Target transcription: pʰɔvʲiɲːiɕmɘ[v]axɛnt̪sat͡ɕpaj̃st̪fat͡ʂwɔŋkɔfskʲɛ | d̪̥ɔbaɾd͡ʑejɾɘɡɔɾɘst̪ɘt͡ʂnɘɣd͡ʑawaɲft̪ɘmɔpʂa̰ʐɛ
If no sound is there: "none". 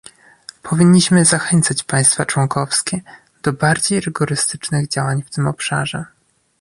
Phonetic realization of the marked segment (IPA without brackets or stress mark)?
z